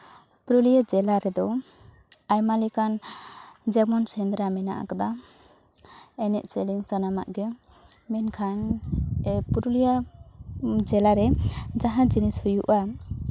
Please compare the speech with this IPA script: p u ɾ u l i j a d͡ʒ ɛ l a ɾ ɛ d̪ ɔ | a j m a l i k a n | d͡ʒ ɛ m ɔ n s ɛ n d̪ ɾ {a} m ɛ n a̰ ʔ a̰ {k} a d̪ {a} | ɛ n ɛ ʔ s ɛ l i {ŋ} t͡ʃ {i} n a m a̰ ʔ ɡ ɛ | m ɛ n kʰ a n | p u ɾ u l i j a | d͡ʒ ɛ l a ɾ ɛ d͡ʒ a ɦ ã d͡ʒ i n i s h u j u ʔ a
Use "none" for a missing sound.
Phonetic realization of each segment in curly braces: a, k, a, ŋ, a

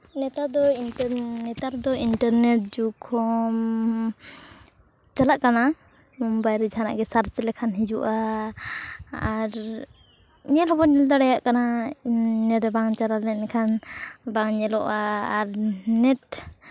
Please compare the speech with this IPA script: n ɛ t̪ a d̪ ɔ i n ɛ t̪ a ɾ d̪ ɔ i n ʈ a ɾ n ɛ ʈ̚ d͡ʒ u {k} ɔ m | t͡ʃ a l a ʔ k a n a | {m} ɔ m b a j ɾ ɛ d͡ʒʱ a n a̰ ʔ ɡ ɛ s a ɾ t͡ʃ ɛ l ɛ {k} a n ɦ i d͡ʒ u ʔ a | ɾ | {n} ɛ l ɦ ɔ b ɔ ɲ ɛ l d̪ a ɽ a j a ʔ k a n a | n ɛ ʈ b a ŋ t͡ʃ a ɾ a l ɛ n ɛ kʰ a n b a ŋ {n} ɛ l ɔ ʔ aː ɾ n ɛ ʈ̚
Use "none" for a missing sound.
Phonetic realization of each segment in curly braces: kʰ, m, kʰ, ɲ, ɲ

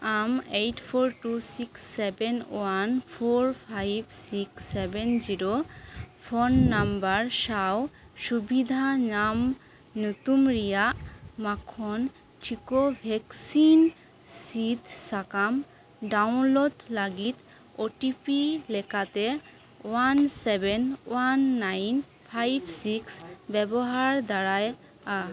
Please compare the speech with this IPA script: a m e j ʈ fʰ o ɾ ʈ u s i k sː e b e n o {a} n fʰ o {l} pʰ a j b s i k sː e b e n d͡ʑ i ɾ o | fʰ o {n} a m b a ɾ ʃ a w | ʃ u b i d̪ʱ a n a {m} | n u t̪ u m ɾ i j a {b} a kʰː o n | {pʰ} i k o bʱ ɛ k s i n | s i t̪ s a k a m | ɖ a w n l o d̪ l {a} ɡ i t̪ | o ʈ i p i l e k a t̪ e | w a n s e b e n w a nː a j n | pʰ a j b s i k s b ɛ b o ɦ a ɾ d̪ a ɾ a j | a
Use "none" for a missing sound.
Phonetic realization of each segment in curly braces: a, ɾ, nː, m, m, ʈʰ, a

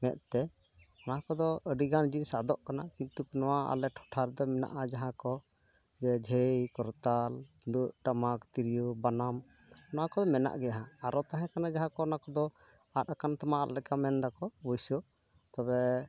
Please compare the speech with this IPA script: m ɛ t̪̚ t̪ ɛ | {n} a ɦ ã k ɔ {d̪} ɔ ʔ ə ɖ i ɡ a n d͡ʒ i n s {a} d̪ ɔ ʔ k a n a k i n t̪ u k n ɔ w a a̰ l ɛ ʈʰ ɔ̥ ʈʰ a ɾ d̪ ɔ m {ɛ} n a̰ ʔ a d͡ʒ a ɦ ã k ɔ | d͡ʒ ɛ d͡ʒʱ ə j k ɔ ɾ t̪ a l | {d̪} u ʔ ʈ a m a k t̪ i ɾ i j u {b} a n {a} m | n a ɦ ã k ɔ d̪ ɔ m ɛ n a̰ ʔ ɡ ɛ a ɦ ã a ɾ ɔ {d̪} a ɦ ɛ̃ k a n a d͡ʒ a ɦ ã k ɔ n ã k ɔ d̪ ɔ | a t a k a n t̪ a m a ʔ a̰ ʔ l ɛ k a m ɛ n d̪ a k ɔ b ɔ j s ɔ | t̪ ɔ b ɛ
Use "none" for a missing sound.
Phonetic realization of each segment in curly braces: n, d̪, a, ɛ, d̪, b, a, t̪

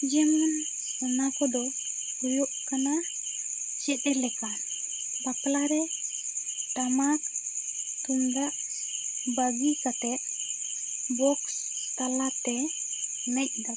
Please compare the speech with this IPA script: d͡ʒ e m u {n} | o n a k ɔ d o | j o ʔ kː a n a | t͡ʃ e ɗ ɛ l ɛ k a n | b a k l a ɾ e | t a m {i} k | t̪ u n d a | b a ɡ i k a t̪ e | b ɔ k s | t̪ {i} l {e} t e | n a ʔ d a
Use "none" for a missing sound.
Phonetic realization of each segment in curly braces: n, a, a, a

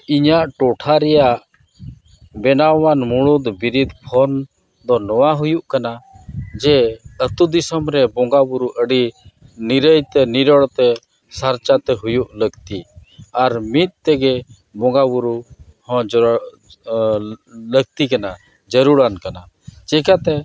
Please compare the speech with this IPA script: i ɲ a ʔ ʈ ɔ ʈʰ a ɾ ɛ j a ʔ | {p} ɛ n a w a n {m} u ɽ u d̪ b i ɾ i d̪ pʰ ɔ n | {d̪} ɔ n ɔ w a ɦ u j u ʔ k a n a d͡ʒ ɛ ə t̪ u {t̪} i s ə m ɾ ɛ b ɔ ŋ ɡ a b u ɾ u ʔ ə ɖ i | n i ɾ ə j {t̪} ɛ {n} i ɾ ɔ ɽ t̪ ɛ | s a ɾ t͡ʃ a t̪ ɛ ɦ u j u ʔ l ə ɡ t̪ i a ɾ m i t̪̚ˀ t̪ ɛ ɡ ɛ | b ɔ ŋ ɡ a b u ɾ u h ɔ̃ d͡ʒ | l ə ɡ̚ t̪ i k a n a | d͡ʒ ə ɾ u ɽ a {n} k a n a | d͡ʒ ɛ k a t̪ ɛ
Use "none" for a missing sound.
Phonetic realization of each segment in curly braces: b, m, d̪, d̪, t̪, n, n

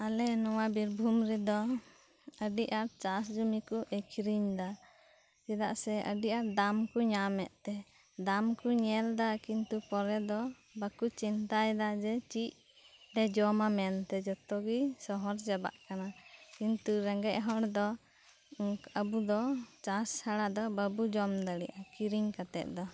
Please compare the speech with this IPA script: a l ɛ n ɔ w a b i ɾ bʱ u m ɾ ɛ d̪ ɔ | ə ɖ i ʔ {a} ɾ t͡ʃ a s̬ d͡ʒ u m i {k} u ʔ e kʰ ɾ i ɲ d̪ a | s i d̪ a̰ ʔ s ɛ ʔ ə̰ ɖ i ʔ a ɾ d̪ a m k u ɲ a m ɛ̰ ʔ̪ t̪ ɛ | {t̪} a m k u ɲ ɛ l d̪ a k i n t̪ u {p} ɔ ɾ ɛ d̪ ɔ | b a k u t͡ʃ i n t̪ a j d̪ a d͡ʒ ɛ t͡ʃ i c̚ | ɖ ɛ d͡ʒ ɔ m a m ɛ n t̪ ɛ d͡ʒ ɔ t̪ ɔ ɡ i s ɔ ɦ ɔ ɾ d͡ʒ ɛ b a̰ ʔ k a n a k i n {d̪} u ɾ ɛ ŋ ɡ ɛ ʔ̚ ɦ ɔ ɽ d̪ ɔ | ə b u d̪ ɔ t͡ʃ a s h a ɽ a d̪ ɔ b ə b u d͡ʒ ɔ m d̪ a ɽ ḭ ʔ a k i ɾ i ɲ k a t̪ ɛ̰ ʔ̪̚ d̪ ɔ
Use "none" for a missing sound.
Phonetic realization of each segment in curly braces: a, k, d̪, p, t̪

